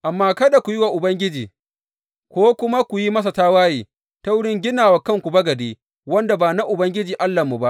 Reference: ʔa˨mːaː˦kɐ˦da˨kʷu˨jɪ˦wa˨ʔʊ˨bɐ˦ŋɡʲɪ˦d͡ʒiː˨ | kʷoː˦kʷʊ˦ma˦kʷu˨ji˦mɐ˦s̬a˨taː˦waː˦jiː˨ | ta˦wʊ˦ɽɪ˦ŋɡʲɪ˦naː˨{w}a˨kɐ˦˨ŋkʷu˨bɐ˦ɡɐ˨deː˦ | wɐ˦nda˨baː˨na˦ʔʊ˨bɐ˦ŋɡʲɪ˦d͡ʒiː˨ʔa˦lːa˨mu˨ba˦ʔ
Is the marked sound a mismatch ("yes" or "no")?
no